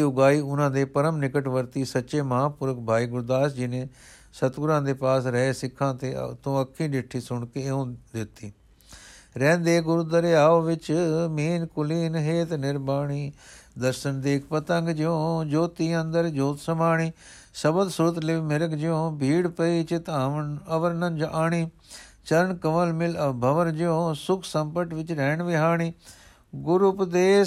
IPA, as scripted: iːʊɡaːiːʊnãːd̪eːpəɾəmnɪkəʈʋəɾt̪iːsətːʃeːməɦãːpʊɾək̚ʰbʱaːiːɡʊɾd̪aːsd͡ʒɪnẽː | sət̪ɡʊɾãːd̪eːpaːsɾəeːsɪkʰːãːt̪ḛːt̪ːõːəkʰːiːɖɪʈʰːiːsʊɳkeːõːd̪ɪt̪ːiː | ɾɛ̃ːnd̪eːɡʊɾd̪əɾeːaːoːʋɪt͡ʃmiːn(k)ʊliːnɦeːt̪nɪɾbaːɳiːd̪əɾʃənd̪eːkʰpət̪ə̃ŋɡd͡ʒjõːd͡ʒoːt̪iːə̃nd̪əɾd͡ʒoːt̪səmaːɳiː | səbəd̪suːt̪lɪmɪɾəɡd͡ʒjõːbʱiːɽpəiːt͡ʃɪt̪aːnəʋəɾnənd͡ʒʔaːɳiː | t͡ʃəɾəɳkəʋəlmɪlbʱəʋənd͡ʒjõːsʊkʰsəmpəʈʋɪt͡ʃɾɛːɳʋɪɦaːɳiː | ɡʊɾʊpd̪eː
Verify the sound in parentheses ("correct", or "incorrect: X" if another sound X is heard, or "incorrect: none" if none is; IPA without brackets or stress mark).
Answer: correct